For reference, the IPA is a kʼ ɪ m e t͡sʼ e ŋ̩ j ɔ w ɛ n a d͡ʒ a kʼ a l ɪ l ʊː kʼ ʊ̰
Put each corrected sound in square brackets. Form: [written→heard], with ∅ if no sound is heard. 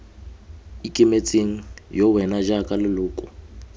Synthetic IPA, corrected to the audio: [a→i] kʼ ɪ m e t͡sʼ e ŋ̩ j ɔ w ɛ n a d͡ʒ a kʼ a l ɪ l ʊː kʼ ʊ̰